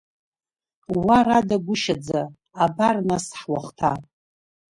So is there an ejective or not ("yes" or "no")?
no